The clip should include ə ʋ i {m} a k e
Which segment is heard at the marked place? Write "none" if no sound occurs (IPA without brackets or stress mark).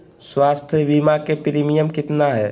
m